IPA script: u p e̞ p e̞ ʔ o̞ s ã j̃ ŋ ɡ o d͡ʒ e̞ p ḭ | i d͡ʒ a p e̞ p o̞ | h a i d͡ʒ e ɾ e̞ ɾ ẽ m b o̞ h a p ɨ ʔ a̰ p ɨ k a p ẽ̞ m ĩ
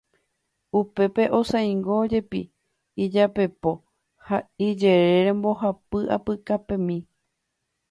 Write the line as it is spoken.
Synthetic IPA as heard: u p e̞ p e̞ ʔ o̞ s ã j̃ ŋ ɡ o d͡ʒ e̞ p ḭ | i d͡ʒ a p e̞ p o̞ | h a i d͡ʒ e ɾ e̞ ɾ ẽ m b o̞ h a p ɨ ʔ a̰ p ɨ k a p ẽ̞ m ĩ